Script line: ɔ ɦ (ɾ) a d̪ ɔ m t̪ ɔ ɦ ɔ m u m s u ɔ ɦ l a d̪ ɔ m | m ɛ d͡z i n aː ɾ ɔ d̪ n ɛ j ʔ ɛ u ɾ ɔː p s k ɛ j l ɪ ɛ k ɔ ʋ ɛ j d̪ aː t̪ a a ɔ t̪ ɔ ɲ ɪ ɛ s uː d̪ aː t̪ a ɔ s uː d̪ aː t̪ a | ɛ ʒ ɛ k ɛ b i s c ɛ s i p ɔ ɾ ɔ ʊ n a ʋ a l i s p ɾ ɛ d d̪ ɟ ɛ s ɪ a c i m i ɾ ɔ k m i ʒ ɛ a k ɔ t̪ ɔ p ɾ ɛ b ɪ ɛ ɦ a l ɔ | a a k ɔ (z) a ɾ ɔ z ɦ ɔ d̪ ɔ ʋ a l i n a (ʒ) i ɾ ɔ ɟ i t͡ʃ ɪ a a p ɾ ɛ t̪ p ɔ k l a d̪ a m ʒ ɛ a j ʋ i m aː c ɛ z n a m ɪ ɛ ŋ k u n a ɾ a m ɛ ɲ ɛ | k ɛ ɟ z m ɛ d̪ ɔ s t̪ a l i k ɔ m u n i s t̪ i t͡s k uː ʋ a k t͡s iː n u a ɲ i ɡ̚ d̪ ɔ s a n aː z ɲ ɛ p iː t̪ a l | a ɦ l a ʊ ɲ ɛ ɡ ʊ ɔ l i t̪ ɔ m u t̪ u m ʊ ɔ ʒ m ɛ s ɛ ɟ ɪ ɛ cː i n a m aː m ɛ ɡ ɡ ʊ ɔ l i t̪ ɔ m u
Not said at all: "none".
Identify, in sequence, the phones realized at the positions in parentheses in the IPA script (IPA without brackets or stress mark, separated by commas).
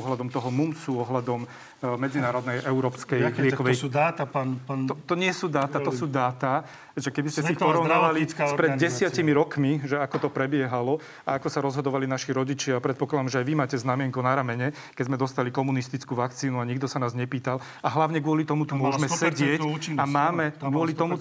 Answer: l, s, ʃ